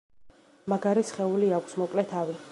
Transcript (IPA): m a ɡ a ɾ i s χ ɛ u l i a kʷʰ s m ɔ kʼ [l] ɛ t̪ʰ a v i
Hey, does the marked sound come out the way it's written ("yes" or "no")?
yes